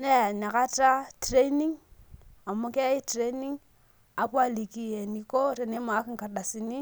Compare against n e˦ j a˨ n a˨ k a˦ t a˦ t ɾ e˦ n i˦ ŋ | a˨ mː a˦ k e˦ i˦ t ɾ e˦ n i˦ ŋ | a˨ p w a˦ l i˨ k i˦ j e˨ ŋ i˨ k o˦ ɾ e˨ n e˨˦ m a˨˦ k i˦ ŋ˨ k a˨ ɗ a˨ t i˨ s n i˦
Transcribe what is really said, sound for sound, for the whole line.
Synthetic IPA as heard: n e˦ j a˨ n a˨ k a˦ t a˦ t ɾ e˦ n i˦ ŋ | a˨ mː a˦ k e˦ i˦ t ɾ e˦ n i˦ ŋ | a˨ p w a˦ l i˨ k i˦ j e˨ n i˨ k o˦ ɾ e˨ n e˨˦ m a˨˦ k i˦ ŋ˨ k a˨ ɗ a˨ s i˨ n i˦